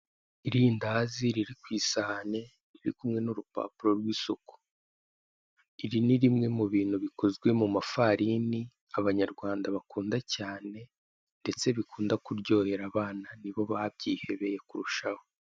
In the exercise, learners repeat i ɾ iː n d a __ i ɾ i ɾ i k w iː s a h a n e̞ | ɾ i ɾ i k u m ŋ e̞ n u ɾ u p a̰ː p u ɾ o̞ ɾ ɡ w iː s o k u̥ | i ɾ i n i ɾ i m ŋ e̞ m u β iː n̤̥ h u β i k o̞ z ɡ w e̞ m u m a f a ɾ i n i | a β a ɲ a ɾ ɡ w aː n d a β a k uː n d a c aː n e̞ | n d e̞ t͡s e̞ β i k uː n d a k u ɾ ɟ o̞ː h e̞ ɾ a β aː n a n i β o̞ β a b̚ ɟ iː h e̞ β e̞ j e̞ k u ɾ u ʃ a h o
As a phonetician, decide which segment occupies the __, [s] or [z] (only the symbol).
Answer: z